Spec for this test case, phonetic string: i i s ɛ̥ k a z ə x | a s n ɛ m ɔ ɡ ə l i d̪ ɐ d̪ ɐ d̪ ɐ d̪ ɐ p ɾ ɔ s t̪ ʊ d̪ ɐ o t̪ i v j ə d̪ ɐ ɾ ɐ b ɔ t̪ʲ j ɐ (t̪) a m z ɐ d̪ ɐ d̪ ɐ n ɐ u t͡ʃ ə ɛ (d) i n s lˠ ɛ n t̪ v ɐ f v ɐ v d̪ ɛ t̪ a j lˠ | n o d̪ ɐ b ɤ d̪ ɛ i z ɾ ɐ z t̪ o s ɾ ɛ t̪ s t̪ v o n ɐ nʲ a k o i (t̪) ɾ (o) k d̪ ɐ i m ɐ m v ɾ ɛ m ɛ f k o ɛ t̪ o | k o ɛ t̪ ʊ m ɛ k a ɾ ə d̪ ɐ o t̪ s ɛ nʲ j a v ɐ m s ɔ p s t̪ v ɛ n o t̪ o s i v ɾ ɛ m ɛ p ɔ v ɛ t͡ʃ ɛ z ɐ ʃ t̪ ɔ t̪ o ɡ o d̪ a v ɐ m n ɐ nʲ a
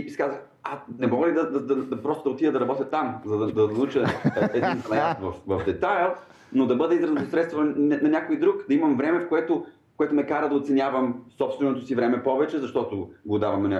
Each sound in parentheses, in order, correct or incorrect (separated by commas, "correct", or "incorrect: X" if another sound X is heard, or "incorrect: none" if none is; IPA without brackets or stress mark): correct, correct, incorrect: d̪, incorrect: u